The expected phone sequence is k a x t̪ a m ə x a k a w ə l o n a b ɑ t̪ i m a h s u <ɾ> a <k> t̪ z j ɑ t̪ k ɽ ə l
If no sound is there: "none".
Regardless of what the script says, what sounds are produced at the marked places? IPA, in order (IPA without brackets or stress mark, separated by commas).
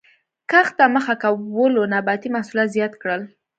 l, none